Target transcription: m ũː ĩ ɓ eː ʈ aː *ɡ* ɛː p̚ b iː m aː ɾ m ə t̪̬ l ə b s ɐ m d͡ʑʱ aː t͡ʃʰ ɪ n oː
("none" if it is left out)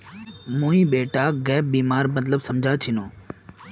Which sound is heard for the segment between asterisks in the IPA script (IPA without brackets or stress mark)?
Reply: ɡ